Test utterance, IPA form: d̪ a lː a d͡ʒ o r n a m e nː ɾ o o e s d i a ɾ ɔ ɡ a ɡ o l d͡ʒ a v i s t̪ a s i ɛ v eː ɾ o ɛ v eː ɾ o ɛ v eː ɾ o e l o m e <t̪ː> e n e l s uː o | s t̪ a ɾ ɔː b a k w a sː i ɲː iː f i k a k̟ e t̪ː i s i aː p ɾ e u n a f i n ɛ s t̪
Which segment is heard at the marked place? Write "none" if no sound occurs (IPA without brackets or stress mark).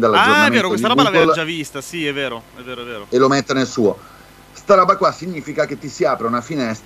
t̪ː